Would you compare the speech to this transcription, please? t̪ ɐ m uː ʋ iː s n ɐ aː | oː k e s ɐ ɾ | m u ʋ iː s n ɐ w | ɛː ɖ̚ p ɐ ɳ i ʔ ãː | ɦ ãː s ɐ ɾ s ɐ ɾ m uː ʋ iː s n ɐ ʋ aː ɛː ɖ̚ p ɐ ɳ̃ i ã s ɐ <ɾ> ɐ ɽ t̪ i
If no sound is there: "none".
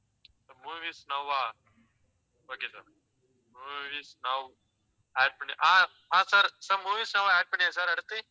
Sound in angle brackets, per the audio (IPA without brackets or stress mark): ɾ